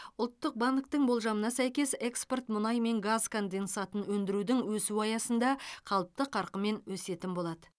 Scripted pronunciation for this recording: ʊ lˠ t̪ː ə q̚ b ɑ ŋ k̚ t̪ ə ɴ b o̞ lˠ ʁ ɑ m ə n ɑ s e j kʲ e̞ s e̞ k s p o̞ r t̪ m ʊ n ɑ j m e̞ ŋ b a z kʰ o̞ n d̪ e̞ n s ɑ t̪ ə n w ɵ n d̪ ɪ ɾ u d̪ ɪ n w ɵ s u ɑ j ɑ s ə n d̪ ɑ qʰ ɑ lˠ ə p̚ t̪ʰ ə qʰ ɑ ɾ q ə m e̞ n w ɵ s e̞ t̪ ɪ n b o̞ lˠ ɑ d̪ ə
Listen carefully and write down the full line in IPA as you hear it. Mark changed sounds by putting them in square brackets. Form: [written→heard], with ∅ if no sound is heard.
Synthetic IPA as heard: ʊ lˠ t̪ː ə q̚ b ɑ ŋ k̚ t̪ ə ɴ b o̞ lˠ [ʁ→ʒ] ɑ m ə n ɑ s [e→æ] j kʲ e̞ s e̞ k s p o̞ r t̪ m ʊ n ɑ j m e̞ ŋ [b→ɡ] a z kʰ o̞ n d̪ e̞ n s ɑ t̪ ə n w ɵ n d̪ ɪ ɾ u d̪ ɪ [n→ŋ] w ɵ s u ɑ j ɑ s ə n d̪ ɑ qʰ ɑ lˠ ə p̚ [t̪ʰ→t̪] ə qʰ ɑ ɾ q ə m e̞ n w ɵ s e̞ t̪ ɪ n b o̞ lˠ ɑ d̪ ə

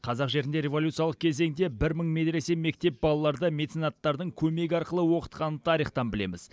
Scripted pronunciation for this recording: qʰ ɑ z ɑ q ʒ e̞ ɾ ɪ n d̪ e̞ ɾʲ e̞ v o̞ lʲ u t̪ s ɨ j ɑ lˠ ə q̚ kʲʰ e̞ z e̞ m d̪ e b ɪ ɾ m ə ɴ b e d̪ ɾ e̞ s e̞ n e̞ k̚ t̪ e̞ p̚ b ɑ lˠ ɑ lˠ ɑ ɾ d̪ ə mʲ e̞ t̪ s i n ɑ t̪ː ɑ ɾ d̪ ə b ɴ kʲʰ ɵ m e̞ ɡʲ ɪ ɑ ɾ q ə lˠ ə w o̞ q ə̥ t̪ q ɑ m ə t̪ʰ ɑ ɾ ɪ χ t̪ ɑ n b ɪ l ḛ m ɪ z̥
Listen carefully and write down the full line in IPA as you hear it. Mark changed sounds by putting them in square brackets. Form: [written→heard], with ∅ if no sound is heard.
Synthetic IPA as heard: qʰ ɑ z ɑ q ʒ e̞ ɾ ɪ n d̪ e̞ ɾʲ e̞ v o̞ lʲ u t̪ s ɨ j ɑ lˠ ə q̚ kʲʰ e̞ z e̞ [m→ŋ] d̪ e b ɪ ɾ m ə ɴ [b→m] e d̪ ɾ e̞ s e̞ [n→m] e̞ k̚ t̪ e̞ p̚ b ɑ lˠ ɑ lˠ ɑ ɾ d̪ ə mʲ e̞ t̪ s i n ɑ t̪ː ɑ ɾ d̪ ə [b→∅] ɴ kʲʰ ɵ m e̞ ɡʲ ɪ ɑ ɾ q ə lˠ ə w o̞ q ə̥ t̪ q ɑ [m→n] ə t̪ʰ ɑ ɾ [ɪ→i] χ t̪ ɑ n b ɪ l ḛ m ɪ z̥

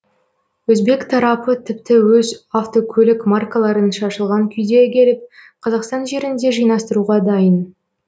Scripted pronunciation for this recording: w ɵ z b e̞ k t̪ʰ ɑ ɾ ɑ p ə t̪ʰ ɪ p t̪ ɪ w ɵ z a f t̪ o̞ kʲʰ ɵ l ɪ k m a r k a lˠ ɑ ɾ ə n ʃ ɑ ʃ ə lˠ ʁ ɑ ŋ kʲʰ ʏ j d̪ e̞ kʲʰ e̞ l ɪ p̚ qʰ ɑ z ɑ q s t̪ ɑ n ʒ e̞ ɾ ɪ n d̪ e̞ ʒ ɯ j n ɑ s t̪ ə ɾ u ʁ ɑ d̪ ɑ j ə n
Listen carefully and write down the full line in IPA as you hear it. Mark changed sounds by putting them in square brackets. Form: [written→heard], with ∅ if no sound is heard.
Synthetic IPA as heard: w ɵ z b e̞ k t̪ʰ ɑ ɾ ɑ p ə t̪ʰ ɪ p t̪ ɪ w ɵ z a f t̪ o̞ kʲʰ ɵ l ɪ k m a r k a lˠ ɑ ɾ ə n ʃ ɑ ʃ ə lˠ ʁ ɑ ŋ kʲʰ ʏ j d̪ e̞ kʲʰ e̞ l ɪ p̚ qʰ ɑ z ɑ q s t̪ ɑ n ʒ e̞ ɾ ɪ n d̪ e̞ ʒ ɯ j n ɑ s t̪ ə ɾ u ʁ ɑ d̪ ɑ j ə n

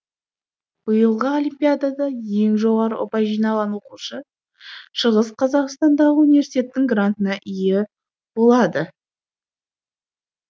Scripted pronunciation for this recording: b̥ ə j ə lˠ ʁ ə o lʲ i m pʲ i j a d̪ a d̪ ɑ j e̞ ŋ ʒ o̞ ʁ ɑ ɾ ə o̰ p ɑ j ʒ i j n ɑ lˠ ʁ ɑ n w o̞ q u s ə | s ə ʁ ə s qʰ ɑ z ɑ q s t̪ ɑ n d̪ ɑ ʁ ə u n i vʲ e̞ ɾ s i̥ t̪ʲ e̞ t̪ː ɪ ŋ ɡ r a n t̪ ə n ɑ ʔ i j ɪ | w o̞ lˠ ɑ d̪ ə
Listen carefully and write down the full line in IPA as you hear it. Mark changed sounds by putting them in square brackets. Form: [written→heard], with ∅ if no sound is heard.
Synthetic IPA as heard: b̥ ə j ə lˠ ʁ ə o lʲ i m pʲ i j a d̪ a d̪ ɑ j e̞ ŋ ʒ o̞ ʁ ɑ ɾ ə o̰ p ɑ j ʒ i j n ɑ lˠ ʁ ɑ n w o̞ q u [s→ʃ] ə | [s→ʃ] ə ʁ ə s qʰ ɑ z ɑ q s t̪ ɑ n d̪ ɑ ʁ ə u n i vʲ e̞ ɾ s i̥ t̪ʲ e̞ t̪ː ɪ ŋ ɡ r a n t̪ ə n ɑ ʔ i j ɪ | [w→b] o̞ lˠ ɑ d̪ ə

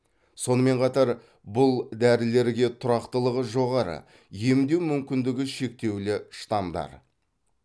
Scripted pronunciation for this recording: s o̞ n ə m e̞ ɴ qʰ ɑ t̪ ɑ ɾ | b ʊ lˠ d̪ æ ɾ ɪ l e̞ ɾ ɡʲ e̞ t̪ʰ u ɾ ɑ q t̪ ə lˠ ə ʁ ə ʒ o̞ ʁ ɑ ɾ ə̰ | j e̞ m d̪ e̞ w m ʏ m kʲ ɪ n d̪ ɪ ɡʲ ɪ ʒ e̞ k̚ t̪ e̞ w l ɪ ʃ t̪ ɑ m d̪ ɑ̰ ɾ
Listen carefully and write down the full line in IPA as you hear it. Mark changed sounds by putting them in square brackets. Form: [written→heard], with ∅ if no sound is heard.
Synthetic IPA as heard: s o̞ n ə m e̞ ɴ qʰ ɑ t̪ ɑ ɾ | b ʊ lˠ d̪ æ ɾ ɪ l e̞ ɾ ɡʲ e̞ t̪ʰ [u→ʊ] ɾ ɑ q t̪ ə lˠ ə ʁ ə ʒ o̞ ʁ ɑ ɾ ə̰ | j e̞ m d̪ e̞ w m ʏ m kʲ ɪ n d̪ ɪ ɡʲ ɪ [ʒ→ʃ] e̞ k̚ t̪ e̞ w l ɪ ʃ t̪ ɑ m d̪ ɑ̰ ɾ

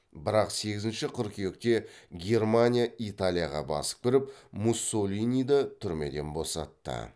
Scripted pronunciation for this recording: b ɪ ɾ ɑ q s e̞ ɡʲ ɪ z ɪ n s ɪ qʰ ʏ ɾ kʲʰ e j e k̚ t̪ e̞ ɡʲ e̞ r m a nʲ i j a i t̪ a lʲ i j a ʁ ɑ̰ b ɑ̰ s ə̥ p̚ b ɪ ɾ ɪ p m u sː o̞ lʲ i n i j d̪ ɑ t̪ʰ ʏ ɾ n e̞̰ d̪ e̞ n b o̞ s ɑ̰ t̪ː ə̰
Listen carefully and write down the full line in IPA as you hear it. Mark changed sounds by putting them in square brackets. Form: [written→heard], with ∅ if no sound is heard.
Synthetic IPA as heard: b ɪ ɾ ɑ q s e̞ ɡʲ ɪ z ɪ n [s→ʃ] ɪ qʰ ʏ ɾ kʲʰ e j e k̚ t̪ e̞ ɡʲ e̞ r m a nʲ i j a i t̪ a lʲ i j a ʁ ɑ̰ b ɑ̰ s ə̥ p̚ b ɪ ɾ ɪ p m u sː o̞ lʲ i n i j d̪ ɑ t̪ʰ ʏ ɾ [n→m] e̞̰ d̪ e̞ n b o̞ s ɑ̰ t̪ː ə̰

